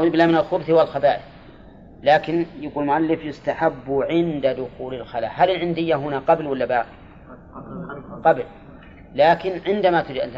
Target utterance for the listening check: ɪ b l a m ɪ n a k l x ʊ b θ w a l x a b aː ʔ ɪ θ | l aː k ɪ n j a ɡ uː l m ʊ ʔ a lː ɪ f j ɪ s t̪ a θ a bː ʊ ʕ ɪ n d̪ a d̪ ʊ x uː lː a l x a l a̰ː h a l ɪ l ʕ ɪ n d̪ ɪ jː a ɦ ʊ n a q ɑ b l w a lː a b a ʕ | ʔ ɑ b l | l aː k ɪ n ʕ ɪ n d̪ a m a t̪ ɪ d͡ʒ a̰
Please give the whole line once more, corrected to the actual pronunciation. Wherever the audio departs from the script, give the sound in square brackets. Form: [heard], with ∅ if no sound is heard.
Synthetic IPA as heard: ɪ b l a m ɪ n a [∅] l x ʊ b θ w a l x a b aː ʔ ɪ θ | l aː k ɪ n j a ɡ uː l m ʊ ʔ a lː ɪ f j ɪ s t̪ a [ħ] a bː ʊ ʕ ɪ n d̪ a d̪ ʊ x uː [l] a l x a l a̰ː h a l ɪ l ʕ ɪ n d̪ ɪ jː a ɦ ʊ n a q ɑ b l w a lː a b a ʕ | [q] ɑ b l | l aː k ɪ n ʕ ɪ n d̪ a m a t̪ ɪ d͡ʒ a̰